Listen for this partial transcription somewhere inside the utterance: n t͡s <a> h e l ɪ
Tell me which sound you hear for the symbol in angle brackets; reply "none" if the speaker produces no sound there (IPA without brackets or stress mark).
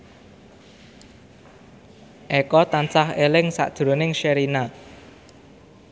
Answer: a